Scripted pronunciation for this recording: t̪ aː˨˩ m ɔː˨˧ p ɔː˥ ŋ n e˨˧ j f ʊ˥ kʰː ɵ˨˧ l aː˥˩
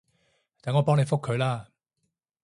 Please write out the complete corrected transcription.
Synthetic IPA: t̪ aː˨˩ ŋ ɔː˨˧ p ɔː˥ ŋ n e˨˧ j f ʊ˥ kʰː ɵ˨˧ l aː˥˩